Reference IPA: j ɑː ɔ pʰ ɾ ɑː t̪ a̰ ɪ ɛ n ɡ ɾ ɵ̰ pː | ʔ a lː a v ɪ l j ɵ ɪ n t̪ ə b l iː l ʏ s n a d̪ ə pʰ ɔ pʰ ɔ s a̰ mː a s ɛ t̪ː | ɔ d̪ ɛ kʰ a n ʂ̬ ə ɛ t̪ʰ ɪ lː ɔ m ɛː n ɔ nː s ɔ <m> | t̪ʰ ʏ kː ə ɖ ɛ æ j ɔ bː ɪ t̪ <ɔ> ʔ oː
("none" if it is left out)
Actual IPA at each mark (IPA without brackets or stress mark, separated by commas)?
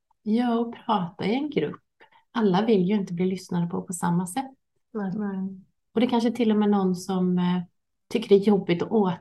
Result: m, ɔ